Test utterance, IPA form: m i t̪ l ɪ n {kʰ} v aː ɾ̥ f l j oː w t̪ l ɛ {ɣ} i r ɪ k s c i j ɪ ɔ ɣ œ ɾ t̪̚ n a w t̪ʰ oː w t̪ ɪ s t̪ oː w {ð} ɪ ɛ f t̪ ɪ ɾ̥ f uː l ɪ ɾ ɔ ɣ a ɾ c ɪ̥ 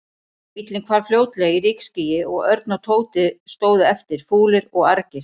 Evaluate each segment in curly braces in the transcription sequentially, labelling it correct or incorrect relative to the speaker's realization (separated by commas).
correct, correct, correct